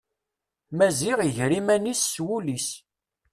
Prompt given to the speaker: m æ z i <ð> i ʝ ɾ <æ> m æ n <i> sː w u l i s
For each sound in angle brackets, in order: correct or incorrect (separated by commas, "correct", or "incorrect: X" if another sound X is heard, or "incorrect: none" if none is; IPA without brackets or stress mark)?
incorrect: ʁ, incorrect: i, correct